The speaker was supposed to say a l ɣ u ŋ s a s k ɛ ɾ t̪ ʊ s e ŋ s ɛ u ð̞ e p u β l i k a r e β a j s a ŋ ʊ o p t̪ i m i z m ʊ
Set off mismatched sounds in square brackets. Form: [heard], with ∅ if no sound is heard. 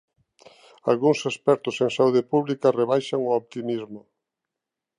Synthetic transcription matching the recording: a l ɣ u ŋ s [e] s [p] ɛ ɾ t̪ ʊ s e ŋ s [a] u ð̞ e p u β l i k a r e β a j [ʃ] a ŋ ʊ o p t̪ i m i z m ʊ

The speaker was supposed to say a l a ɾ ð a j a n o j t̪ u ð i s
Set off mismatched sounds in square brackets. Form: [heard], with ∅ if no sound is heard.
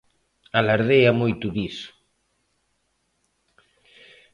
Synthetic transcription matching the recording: a l a ɾ ð [e] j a [m] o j t̪ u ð i s

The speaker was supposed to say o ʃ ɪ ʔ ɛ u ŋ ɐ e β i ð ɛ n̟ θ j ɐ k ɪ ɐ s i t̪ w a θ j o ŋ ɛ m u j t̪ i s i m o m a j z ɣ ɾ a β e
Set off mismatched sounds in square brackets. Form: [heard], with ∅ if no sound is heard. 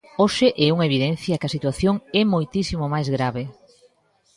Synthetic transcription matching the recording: o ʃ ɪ ʔ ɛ u ŋ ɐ e β i ð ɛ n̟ θ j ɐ k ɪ ɐ s i t̪ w a θ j o ŋ ɛ m [o] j t̪ i s i m o m a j z ɣ ɾ a β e

